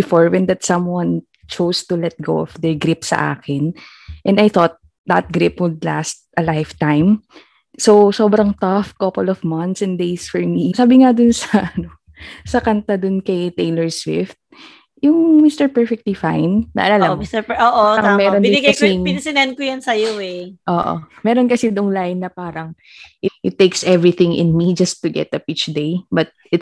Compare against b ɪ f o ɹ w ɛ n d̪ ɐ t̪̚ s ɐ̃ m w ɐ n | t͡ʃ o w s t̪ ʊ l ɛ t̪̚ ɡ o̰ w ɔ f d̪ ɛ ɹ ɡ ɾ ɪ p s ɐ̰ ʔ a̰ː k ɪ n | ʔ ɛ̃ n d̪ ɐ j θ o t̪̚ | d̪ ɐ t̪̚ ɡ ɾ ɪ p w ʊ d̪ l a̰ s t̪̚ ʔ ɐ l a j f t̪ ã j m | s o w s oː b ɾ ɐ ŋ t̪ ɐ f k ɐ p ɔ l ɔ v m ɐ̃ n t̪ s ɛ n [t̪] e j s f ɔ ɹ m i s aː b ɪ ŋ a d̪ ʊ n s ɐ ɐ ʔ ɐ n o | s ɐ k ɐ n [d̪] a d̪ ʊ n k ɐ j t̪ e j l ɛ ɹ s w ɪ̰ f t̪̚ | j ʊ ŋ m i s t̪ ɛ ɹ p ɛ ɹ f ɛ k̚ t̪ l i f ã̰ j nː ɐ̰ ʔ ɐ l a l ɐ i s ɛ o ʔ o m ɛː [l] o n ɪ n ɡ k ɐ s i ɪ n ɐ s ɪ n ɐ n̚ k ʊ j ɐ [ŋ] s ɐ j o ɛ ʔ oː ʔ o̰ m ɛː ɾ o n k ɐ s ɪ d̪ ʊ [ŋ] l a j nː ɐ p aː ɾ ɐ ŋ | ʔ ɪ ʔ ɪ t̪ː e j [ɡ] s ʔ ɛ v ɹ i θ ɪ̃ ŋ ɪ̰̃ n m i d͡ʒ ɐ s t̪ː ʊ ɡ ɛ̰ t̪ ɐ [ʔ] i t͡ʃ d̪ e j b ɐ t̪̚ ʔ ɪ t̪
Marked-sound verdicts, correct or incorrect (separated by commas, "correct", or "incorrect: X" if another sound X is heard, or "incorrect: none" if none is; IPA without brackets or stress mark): incorrect: d̪, incorrect: t̪, incorrect: ɾ, incorrect: n, correct, incorrect: k, incorrect: p